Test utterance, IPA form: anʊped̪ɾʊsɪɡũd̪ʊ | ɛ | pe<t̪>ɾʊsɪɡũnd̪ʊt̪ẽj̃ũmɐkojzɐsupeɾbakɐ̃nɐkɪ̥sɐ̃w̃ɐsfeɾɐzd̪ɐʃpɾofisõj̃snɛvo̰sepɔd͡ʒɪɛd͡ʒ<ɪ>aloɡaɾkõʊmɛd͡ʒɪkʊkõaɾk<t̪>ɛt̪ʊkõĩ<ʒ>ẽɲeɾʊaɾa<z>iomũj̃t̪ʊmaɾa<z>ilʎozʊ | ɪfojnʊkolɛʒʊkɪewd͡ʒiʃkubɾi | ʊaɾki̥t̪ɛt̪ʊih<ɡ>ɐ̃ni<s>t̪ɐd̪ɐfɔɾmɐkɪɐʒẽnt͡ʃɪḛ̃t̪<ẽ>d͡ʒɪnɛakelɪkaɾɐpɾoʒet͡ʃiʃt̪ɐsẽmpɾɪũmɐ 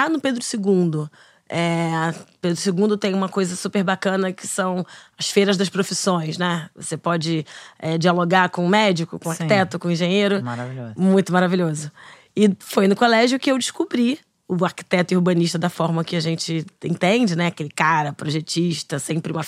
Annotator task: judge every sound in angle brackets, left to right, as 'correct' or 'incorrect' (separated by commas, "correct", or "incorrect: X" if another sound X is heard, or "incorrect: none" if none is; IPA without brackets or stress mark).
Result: incorrect: d̪, incorrect: i, correct, correct, incorrect: v, incorrect: v, incorrect: b, incorrect: ʃ, correct